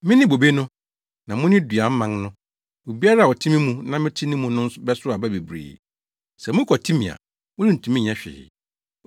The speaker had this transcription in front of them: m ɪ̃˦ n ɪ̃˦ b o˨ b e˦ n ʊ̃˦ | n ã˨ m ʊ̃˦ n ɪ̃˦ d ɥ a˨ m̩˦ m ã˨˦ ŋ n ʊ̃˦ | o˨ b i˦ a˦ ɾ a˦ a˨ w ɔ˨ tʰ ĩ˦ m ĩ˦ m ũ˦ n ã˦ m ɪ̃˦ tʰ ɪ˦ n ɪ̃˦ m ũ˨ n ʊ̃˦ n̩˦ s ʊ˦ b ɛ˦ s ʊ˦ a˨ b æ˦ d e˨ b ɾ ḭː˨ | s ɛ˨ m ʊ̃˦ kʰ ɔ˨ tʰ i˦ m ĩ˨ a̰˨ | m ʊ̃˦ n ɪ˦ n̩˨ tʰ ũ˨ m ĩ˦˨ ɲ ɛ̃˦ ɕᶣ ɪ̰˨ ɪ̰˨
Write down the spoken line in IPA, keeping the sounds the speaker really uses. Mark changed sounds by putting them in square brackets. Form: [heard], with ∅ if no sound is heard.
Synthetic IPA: m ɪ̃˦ n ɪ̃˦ b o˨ b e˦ n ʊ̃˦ | n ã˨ m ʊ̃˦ n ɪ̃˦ d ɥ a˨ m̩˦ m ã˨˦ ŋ n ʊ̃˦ | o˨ b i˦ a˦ ɾ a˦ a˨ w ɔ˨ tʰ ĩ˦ m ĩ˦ m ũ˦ n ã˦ m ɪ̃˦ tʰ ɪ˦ n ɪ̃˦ m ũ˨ n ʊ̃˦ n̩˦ s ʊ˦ b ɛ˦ s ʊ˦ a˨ b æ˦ [b] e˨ b ɾ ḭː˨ | s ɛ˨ m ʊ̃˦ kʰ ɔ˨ tʰ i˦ m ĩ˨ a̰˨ | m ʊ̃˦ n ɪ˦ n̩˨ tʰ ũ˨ m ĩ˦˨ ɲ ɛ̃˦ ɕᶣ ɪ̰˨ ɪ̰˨